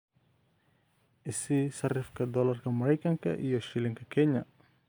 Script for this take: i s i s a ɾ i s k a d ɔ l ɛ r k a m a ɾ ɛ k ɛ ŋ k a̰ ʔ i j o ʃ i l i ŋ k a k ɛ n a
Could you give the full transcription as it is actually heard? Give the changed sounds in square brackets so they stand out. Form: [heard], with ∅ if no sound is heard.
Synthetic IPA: i s i s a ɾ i [f] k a d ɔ l [a] r k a m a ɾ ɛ k [a] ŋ k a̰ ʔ i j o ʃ i l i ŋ k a k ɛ [ɲ] a